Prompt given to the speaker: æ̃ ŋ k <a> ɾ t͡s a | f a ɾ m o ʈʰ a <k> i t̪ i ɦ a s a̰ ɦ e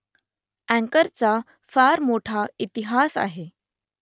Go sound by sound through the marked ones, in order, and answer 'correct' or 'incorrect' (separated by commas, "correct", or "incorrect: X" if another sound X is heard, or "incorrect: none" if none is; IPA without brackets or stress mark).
incorrect: ə, incorrect: none